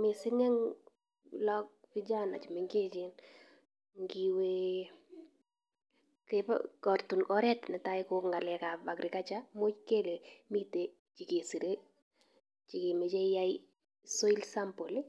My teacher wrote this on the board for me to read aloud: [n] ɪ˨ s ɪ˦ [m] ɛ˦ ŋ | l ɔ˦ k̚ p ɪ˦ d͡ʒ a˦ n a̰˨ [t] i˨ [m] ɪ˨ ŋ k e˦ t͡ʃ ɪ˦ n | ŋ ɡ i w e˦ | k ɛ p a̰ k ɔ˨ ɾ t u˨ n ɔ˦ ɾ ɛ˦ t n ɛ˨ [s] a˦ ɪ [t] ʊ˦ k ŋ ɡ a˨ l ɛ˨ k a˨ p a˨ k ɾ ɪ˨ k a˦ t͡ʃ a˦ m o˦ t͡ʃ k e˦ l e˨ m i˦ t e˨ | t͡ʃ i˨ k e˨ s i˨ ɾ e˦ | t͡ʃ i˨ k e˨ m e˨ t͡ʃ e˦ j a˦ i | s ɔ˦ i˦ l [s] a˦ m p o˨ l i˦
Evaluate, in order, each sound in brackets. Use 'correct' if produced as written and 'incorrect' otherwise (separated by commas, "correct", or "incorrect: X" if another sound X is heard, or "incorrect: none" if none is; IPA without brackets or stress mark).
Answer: incorrect: m, incorrect: ŋ, incorrect: t͡ʃ, correct, incorrect: t, incorrect: k, correct